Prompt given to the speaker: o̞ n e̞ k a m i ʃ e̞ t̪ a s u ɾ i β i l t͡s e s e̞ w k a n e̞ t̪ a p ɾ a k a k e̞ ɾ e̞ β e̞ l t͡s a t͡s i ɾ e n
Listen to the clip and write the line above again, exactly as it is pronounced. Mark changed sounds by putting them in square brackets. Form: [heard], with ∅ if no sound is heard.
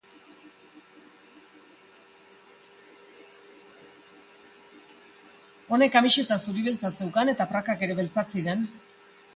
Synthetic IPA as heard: o̞ n e̞ k a m i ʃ e̞ t̪ a s u ɾ i β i l t͡s [a] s e̞ w k a n e̞ t̪ a p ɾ a k a k e̞ ɾ e̞ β e̞ l t͡s a t͡s i ɾ e n